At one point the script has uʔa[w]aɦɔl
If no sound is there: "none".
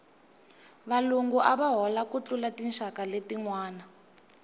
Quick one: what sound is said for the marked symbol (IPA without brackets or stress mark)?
β